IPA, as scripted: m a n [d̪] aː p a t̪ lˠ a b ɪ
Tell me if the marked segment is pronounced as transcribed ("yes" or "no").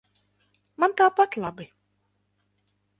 no